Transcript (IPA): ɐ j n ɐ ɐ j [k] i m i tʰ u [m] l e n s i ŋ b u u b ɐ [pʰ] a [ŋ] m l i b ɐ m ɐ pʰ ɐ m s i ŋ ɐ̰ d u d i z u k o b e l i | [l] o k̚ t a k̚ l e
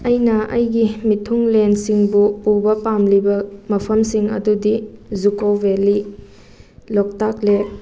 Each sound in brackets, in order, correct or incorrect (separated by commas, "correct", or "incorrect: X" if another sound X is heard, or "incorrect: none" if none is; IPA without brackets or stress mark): incorrect: ɡ, incorrect: ŋ, incorrect: p, incorrect: none, correct